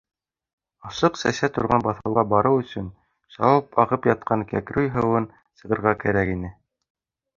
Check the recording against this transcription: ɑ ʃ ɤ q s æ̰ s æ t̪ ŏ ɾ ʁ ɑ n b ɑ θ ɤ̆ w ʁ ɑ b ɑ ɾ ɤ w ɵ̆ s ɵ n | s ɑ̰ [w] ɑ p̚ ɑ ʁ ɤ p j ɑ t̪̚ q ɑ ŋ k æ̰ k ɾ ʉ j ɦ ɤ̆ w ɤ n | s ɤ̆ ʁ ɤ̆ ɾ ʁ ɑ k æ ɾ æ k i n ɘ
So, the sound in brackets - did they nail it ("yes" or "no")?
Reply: yes